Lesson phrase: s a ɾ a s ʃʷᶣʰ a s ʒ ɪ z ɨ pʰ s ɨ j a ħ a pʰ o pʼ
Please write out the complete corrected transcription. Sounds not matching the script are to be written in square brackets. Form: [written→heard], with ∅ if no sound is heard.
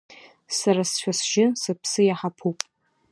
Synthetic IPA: s a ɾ a s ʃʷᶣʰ a s ʒ ɪ [z→s] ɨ pʰ s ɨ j a ħ a pʰ [o→u] pʼ